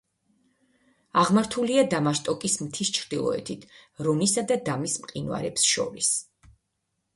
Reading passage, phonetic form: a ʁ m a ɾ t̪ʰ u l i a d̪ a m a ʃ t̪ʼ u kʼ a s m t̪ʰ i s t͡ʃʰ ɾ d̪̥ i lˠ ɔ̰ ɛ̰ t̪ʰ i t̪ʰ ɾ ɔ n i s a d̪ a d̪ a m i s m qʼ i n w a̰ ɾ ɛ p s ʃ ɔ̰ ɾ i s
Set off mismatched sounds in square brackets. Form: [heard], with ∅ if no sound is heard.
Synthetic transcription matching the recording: a ʁ m a ɾ t̪ʰ u l i a d̪ a m a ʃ t̪ʼ [ɔ] kʼ [i] s m t̪ʰ i s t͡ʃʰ ɾ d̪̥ i lˠ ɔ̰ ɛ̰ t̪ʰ i t̪ʰ ɾ ɔ n i s a d̪ a d̪ a m i s m qʼ i n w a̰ ɾ ɛ p s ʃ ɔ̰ ɾ i s